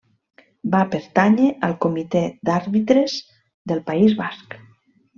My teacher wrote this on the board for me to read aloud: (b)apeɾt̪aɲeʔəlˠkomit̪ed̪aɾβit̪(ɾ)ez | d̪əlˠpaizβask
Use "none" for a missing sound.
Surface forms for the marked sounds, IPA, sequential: b, ɾ

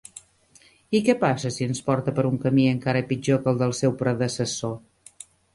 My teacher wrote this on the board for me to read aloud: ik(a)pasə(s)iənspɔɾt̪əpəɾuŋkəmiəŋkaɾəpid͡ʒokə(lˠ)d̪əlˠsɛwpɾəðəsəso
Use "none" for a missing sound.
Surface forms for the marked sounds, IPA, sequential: ɛ, s, lˠ

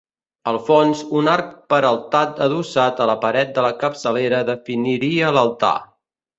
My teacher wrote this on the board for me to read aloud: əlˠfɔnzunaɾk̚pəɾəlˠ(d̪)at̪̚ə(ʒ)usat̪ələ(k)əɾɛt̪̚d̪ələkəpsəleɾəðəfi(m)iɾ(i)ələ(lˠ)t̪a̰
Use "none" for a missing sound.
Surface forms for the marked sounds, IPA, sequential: t̪, ð, p, n, i, lˠ

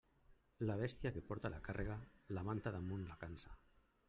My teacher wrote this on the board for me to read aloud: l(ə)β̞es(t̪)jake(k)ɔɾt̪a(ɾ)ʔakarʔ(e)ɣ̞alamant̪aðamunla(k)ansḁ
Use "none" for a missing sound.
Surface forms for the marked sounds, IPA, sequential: a, t̪, p, l, e, k

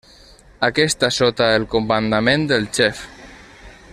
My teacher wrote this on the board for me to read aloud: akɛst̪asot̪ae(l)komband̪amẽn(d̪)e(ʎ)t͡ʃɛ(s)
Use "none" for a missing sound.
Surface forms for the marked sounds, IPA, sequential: l, d̪, l, f

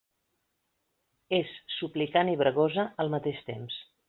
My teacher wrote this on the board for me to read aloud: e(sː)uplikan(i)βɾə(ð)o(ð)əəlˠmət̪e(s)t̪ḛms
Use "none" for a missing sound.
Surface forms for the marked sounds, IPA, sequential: sː, i, ɣ, z, ʃ

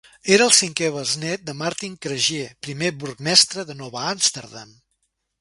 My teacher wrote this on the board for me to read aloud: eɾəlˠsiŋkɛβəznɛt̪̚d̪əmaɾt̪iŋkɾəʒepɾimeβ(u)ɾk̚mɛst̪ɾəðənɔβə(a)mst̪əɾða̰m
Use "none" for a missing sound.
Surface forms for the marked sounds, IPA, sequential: u, a

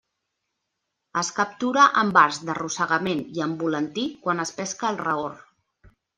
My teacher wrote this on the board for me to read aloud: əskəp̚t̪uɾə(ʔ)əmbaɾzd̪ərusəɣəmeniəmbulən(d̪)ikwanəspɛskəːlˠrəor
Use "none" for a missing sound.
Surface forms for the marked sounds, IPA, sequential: ʔ, t̪

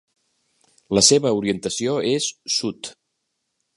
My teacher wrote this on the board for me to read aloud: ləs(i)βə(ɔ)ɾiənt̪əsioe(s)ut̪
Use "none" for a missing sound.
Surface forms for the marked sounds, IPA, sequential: e, u, sː

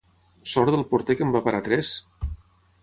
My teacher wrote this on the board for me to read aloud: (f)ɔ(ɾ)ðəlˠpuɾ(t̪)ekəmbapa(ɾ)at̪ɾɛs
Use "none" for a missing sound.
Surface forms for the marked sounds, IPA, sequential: s, ɾ, t̪, ɾ

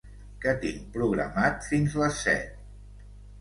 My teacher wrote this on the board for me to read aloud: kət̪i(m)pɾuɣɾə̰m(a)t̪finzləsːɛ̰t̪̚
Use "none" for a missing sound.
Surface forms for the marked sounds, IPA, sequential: ŋ, a

